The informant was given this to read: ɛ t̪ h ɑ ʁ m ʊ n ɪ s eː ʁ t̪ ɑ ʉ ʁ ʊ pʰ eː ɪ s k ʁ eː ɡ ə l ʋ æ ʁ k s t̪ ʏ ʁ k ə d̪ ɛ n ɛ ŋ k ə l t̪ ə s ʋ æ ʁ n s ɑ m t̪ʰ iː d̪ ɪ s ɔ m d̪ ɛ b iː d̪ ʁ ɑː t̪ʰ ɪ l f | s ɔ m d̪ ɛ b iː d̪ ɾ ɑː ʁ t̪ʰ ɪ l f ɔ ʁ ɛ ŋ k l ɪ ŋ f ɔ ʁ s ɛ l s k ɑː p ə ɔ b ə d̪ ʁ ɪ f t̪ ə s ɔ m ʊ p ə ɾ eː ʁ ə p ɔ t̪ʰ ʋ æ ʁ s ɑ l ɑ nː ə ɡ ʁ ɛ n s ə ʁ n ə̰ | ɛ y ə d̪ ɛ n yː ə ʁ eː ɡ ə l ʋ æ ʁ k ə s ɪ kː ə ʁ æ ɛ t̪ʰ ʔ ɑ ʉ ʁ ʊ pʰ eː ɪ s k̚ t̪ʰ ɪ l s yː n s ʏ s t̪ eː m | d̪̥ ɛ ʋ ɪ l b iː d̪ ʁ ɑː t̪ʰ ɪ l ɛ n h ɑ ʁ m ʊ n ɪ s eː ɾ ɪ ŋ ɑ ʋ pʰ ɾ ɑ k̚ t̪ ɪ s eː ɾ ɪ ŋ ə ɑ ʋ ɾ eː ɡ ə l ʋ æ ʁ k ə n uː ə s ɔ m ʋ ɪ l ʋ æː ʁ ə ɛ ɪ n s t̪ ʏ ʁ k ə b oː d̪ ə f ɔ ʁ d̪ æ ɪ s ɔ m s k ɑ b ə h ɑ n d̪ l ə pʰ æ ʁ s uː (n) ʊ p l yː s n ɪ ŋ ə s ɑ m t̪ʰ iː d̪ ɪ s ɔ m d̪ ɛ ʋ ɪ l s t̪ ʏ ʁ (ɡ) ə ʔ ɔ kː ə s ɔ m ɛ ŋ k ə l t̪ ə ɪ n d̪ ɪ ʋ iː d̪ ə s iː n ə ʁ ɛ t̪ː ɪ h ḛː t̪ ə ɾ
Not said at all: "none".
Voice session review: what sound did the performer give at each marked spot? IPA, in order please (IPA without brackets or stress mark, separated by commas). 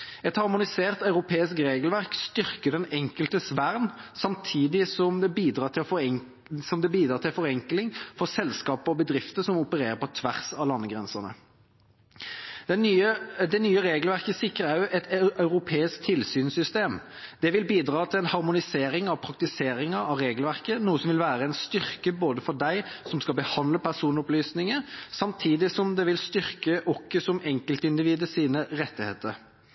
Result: n, k